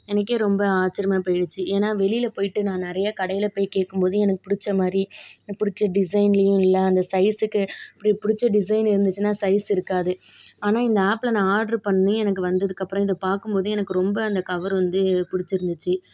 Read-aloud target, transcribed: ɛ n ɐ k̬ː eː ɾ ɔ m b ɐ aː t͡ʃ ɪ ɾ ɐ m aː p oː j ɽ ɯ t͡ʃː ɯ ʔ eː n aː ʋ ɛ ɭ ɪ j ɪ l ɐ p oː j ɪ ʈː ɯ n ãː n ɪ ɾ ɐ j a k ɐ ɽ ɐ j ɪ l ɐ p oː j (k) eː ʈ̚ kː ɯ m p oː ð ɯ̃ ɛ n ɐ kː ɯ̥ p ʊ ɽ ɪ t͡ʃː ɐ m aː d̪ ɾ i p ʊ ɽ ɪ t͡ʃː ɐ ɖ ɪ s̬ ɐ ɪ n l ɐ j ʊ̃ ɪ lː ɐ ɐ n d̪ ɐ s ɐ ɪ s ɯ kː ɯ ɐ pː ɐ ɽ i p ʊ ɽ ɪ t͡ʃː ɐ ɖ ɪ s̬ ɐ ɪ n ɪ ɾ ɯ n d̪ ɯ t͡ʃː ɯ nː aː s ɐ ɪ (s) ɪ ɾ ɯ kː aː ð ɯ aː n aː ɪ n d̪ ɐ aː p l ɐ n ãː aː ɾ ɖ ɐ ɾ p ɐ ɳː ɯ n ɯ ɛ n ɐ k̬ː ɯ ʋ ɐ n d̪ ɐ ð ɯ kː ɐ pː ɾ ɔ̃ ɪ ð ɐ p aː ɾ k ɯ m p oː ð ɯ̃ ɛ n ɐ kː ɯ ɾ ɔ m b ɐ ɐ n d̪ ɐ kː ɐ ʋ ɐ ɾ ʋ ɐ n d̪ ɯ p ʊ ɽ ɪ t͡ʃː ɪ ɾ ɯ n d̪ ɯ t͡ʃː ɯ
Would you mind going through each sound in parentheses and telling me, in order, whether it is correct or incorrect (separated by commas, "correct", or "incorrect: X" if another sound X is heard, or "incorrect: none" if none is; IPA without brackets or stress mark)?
correct, correct